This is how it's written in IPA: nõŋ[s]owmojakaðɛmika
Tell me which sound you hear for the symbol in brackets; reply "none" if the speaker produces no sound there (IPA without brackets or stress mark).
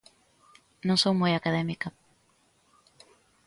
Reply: s